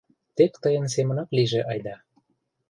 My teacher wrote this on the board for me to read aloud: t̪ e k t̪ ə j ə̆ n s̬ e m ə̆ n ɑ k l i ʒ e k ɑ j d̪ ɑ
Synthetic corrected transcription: t̪ e k t̪ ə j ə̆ n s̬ e m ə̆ n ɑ k l i ʒ e ʔ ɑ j d̪ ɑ